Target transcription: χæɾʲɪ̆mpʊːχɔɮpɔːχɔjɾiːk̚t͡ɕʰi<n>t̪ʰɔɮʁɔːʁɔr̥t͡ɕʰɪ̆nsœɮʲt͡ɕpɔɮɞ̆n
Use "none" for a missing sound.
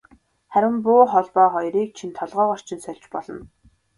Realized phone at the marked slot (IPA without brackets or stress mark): n